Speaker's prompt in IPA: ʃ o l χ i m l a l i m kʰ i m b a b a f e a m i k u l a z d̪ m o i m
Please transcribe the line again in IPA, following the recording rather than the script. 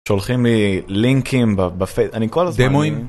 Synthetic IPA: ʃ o l χ i m l i l i ŋ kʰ i m b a b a f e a n i k o l a z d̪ m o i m